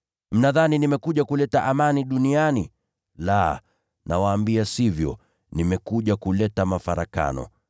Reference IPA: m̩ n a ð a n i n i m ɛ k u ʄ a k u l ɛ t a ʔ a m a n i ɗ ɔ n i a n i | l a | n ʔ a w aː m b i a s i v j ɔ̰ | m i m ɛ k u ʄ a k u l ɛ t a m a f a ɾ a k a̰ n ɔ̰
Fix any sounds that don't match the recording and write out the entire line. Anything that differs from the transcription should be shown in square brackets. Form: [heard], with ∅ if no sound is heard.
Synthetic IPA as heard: m̩ n a ð a n i n i m ɛ k u ʄ a k u l ɛ t a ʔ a m a n i ɗ [u] n i a n i | l a | n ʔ a w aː m b i a s i v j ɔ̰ | [n] i m ɛ k u ʄ a k u l ɛ t a m a f a ɾ a k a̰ n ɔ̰